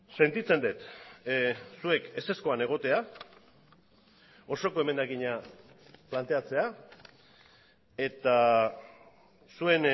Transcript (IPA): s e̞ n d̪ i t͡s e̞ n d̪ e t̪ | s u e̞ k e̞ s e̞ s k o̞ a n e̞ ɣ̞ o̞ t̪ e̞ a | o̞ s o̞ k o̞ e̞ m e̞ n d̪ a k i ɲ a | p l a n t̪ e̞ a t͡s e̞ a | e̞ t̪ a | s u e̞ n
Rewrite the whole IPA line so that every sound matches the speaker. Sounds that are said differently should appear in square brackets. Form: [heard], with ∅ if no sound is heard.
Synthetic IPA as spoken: s e̞ n [t̪] i t͡s e̞ n d̪ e t̪ | s u e̞ k e̞ s e̞ s k o̞ a n e̞ ɣ̞ o̞ t̪ e̞ a | o̞ s o̞ k o̞ e̞ m e̞ n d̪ a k i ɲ a | p l a n t̪ e̞ a t͡s e̞ a | e̞ t̪ a | s u e̞ n

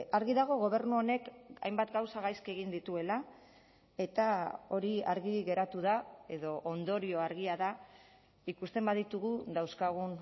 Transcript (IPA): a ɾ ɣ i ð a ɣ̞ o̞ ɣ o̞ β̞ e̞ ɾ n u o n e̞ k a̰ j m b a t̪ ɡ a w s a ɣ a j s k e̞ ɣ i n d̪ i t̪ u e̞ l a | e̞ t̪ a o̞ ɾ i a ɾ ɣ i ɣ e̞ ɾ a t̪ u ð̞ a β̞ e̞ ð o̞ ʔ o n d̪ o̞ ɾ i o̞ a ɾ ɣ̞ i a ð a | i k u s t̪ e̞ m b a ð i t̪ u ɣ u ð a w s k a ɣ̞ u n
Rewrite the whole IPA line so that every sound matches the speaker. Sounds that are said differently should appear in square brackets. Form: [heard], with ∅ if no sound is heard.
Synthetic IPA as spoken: a ɾ ɣ i ð a ɣ̞ o̞ ɣ o̞ β̞ e̞ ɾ n u o n e̞ k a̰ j m b a t̪ ɡ a w s a ɣ a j s k e̞ ɣ i n d̪ i t̪ u e̞ l a | e̞ t̪ a o̞ ɾ i a ɾ ɣ i ɣ e̞ ɾ a t̪ u ð̞ a [∅] e̞ ð o̞ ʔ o n d̪ o̞ ɾ i o̞ a ɾ ɣ̞ i a ð a | i k u s t̪ e̞ m b a ð i t̪ u ɣ u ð a w s k a ɣ̞ u n

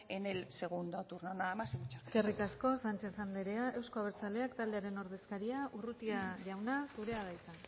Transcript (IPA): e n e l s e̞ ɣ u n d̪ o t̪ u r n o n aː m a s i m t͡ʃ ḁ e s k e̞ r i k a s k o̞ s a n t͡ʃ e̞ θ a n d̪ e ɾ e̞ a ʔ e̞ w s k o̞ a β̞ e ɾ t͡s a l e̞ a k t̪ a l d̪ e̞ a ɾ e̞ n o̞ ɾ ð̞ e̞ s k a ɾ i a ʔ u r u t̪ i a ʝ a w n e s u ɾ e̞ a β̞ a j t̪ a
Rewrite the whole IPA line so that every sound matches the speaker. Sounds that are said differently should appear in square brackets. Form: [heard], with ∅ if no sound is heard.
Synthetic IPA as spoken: e n e l s e̞ ɣ u n d̪ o t̪ u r n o n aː m a s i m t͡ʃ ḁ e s k e̞ r i k a s k o̞ s a n t͡ʃ e̞ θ a n d̪ e ɾ e̞ a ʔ e̞ w s k o̞ a β̞ e ɾ t͡s a l e̞ a k t̪ a l d̪ e̞ a ɾ e̞ n o̞ ɾ ð̞ e̞ s k a ɾ i a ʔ u r u t̪ i a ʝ a w n [a] s u ɾ e̞ a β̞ a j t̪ a

